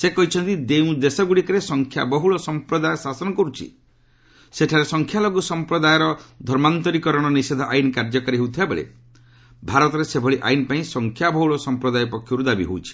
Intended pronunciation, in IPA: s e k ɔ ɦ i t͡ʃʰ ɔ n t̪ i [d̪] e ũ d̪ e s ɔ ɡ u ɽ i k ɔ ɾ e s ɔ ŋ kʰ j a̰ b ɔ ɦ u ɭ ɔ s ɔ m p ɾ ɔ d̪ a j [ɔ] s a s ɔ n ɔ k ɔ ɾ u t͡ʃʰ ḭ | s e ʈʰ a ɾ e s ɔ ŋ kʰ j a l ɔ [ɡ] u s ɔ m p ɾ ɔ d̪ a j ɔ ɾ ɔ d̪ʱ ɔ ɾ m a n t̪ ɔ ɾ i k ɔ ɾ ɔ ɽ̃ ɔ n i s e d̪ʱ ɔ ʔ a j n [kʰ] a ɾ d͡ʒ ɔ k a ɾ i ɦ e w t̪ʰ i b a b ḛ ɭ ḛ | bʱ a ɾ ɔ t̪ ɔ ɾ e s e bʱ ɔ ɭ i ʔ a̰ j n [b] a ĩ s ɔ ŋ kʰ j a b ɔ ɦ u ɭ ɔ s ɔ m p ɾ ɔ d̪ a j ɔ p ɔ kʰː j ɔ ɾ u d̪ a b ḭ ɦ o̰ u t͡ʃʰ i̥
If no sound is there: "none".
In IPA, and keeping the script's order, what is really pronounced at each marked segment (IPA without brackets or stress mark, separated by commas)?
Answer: d̪, ɔ, ɡ, k, p